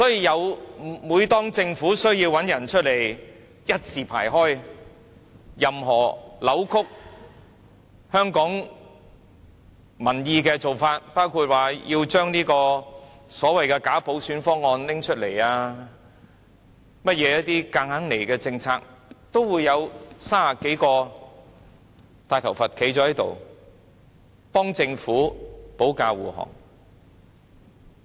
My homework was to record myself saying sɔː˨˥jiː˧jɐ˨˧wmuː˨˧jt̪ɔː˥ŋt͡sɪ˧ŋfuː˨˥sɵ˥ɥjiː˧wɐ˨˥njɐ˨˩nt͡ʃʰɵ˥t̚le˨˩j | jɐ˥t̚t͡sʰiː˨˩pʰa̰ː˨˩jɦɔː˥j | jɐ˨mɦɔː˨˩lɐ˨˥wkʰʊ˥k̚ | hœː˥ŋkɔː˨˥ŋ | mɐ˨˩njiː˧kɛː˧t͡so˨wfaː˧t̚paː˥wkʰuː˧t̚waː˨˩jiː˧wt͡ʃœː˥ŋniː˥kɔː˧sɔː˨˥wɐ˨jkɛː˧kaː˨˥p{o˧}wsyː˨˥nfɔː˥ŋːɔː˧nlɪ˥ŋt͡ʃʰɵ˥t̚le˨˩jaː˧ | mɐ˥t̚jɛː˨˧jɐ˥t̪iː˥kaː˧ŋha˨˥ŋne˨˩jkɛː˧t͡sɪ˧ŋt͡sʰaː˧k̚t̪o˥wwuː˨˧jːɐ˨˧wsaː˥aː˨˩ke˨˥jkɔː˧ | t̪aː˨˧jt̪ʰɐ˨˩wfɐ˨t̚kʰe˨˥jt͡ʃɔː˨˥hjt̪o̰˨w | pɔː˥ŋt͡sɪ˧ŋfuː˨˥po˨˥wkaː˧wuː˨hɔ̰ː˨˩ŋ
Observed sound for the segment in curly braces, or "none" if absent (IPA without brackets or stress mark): o˨˥